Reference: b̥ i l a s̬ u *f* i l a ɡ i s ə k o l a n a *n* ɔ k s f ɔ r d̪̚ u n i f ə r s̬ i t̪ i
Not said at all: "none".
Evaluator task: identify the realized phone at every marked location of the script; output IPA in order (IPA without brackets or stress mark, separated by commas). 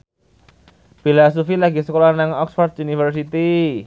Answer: f, ŋ